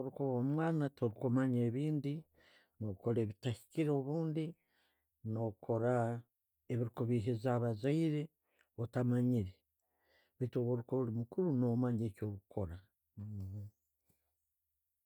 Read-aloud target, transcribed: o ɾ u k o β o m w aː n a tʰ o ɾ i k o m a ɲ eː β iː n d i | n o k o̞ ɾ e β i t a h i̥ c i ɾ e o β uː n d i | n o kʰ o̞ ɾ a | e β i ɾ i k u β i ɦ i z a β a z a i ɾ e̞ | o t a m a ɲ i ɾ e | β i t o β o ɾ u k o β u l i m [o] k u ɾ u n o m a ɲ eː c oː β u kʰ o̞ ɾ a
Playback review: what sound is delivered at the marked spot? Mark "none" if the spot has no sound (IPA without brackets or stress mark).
u